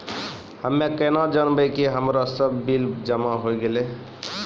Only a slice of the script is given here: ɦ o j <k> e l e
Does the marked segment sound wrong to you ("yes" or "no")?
yes